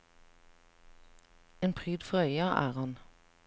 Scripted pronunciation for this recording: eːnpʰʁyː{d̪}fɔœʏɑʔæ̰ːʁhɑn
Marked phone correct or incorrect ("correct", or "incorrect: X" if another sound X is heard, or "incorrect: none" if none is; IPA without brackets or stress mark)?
correct